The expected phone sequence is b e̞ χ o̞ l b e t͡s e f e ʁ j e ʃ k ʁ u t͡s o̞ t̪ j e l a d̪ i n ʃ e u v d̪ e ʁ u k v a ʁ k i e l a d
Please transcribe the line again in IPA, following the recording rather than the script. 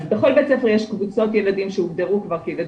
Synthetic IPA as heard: b e̞ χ o̞ l b e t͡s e f e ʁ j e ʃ k v u t͡s o̞ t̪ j e l a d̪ i m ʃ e u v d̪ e ʁ u k v a ʁ k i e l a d